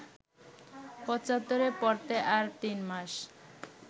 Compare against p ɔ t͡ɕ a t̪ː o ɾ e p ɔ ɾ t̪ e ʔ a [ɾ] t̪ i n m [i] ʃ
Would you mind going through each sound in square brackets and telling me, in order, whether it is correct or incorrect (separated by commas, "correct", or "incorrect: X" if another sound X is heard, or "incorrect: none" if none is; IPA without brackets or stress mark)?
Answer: correct, incorrect: a